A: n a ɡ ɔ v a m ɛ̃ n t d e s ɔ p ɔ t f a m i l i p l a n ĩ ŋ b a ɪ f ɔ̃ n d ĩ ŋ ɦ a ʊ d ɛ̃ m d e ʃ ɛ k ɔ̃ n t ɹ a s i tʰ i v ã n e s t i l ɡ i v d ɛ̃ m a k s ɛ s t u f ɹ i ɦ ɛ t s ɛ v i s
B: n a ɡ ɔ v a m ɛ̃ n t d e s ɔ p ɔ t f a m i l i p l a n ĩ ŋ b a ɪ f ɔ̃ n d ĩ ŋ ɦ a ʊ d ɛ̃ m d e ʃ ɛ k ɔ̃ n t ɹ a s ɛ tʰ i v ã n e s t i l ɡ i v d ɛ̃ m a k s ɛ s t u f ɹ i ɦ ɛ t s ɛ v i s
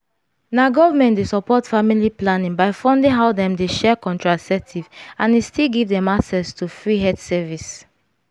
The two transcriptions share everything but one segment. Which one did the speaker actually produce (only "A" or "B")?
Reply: B